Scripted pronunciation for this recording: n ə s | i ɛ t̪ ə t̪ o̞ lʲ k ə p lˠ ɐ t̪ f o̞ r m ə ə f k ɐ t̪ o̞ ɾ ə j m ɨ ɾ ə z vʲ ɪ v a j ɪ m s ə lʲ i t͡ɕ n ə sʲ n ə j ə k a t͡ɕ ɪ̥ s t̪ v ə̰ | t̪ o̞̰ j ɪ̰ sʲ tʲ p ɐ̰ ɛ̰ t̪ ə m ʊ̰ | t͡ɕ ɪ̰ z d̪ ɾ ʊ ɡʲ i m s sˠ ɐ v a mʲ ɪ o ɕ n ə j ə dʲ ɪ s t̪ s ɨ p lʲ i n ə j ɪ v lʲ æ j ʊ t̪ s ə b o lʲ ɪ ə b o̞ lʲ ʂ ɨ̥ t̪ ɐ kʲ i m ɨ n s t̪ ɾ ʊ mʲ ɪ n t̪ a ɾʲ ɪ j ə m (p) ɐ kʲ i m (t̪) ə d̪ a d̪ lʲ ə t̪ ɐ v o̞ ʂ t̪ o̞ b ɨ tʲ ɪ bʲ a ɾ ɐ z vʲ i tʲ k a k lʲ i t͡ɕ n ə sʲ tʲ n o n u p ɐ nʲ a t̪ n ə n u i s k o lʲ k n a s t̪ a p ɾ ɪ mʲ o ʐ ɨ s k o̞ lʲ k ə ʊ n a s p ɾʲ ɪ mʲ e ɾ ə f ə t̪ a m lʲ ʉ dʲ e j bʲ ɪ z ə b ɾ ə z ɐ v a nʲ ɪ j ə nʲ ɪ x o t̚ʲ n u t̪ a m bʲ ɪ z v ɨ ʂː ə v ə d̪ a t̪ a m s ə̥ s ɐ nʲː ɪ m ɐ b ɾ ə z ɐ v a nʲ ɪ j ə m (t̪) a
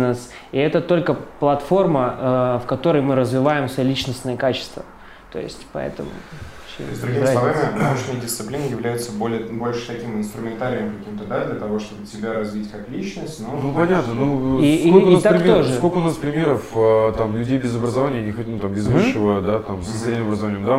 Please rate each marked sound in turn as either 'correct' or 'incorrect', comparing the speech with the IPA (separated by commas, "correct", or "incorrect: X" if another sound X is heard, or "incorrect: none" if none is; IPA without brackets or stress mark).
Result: incorrect: k, correct, incorrect: d̪